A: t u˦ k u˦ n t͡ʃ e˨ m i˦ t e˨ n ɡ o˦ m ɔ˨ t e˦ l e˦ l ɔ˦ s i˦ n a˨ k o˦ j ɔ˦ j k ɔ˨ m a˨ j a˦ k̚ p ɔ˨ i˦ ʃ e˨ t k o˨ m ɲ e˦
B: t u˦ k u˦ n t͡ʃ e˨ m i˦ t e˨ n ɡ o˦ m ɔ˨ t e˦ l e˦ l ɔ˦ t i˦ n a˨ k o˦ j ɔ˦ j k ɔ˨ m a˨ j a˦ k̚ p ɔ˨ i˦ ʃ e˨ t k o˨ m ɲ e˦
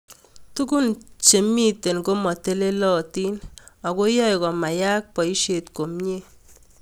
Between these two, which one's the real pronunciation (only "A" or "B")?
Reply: B